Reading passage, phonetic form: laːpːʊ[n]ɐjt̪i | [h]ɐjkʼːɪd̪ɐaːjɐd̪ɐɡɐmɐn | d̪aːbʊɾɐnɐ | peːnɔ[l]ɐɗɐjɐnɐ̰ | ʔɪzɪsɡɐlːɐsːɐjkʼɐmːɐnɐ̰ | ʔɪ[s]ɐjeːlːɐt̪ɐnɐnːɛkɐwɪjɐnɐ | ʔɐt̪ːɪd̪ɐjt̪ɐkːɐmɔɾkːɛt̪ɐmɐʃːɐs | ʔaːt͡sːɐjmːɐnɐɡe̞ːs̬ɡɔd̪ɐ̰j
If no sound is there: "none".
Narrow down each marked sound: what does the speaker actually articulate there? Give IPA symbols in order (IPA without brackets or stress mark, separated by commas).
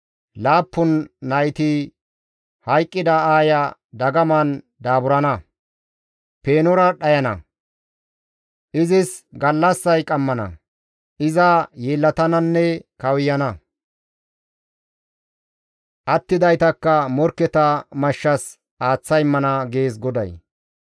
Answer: nː, h, ɾ, z